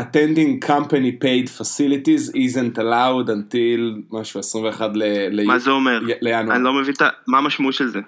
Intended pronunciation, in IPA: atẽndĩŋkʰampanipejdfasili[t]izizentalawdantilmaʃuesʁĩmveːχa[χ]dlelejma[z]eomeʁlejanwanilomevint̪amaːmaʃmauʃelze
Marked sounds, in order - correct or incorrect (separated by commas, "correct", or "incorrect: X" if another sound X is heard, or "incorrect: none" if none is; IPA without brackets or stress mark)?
correct, incorrect: none, correct